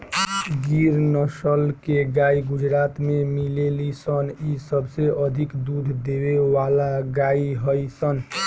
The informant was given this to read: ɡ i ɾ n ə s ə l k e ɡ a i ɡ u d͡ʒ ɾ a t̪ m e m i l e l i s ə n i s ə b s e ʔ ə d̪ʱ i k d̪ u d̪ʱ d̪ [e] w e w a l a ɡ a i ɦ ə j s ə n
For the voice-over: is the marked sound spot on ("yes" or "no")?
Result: yes